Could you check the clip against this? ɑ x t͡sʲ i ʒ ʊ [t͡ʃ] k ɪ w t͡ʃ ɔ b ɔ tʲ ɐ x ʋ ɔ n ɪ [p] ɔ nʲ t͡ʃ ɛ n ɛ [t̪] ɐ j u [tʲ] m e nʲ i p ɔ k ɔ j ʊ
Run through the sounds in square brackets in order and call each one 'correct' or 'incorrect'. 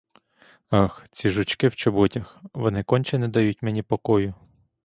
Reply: correct, incorrect, incorrect, correct

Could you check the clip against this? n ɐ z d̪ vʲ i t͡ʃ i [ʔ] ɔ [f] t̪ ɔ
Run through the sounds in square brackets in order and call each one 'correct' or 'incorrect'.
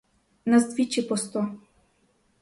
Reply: incorrect, incorrect

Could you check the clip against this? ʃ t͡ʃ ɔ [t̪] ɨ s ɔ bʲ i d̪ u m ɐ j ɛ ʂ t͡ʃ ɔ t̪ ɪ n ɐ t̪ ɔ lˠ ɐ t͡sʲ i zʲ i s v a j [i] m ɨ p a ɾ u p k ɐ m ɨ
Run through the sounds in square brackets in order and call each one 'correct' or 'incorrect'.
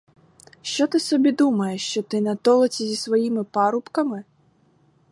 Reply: correct, correct

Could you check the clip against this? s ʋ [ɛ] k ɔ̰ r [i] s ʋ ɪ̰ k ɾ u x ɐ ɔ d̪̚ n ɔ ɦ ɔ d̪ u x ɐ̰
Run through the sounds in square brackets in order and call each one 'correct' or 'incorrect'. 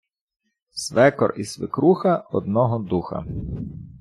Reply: correct, correct

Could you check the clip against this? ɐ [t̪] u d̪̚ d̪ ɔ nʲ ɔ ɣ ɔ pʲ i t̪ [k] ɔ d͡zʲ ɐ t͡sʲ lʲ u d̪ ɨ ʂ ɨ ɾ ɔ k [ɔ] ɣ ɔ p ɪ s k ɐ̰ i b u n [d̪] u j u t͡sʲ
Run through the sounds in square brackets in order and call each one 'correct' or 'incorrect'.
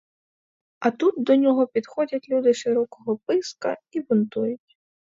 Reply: correct, incorrect, correct, incorrect

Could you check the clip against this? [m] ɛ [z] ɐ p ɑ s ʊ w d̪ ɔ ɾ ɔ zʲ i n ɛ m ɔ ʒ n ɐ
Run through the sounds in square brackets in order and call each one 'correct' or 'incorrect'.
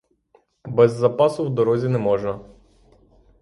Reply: incorrect, incorrect

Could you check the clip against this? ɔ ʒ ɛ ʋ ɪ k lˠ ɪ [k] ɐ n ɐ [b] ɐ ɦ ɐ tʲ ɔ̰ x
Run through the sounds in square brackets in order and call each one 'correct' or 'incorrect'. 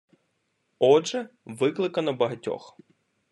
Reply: correct, correct

